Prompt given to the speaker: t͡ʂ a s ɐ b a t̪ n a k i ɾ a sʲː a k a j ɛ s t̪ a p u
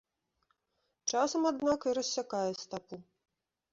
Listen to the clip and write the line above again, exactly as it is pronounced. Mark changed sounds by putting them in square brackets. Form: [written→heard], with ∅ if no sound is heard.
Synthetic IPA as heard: t͡ʂ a s ɐ [b→m] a [t̪→d̪] n a k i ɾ [a→ɐ] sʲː a k a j ɛ s t̪ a p u